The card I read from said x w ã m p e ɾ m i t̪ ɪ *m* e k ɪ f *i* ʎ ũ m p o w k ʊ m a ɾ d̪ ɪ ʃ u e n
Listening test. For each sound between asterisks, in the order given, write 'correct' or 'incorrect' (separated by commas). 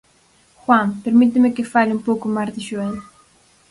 correct, incorrect